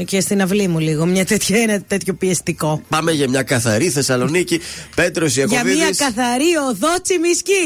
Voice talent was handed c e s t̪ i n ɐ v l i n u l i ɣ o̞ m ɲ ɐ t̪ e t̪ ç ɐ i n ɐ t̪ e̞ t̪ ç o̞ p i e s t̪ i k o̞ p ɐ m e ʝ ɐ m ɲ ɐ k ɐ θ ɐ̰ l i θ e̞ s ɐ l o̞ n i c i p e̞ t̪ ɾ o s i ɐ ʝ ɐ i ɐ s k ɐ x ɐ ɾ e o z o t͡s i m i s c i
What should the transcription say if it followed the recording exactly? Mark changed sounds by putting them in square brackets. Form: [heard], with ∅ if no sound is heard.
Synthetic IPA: c e s t̪ i n ɐ v l i [m] u l i ɣ o̞ m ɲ ɐ t̪ e t̪ ç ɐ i n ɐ t̪ e̞ t̪ ç o̞ p i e s t̪ i k o̞ p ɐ m e ʝ ɐ m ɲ ɐ k ɐ θ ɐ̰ [ɾ] i θ e̞ s ɐ l o̞ n i c i p e̞ t̪ ɾ o s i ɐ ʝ ɐ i ɐ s k ɐ [θ] ɐ ɾ [i] o [ð] o t͡s i m i s c i